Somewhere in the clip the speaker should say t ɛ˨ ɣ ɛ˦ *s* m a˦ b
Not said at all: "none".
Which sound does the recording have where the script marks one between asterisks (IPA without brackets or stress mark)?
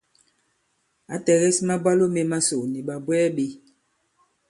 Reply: s